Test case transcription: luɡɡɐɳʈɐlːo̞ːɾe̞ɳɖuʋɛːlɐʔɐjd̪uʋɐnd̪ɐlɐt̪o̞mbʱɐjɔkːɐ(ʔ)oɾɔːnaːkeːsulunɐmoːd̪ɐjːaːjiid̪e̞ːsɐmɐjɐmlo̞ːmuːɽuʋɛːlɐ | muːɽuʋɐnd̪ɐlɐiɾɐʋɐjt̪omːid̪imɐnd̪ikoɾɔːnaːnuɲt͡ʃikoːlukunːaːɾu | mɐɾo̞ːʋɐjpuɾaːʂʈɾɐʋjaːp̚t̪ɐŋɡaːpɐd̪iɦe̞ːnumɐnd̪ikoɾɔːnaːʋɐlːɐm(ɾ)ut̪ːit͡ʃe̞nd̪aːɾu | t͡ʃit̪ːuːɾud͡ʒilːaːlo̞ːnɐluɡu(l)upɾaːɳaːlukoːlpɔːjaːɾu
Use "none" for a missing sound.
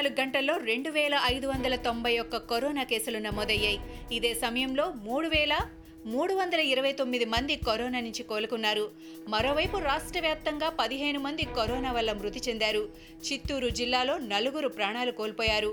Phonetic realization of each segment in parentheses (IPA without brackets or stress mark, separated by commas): k, ɾ, ɾ